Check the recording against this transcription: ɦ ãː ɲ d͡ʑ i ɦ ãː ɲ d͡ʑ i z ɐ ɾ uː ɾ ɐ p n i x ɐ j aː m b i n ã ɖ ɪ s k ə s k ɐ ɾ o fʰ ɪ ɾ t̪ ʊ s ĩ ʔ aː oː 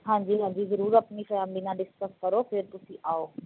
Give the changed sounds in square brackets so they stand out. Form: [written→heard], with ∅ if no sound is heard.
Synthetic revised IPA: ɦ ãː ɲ d͡ʑ i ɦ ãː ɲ d͡ʑ i z ɐ ɾ uː ɾ ɐ p n i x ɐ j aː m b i n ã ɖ ɪ s k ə s k ɐ ɾ o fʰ ɪ ɾ t̪ ʊ s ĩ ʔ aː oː